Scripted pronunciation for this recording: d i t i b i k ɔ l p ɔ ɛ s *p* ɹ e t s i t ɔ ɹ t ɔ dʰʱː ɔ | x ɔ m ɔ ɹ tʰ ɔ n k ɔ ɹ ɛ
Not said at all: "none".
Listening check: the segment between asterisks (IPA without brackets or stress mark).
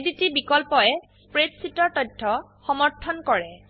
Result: p